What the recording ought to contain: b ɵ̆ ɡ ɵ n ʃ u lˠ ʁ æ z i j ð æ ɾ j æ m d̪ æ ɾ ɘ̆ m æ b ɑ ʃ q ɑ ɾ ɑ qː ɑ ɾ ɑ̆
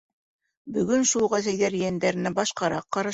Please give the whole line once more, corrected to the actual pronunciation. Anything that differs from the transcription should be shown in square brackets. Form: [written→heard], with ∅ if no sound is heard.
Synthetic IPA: b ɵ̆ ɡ ɵ n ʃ u lˠ ʁ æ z [i→æ] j ð æ ɾ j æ [m→n] d̪ æ ɾ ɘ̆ [m→n] æ b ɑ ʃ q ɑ ɾ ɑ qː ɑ ɾ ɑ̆